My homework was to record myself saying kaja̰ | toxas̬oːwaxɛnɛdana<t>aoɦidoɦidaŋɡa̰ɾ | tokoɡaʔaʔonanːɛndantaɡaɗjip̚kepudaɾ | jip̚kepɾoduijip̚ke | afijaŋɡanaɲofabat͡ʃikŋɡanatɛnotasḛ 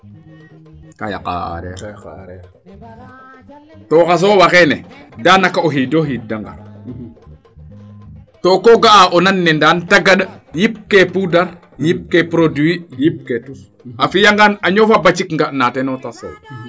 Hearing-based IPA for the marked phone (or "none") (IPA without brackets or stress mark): k